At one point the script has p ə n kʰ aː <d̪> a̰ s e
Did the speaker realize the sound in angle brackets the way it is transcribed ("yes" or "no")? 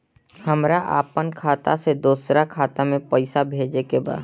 no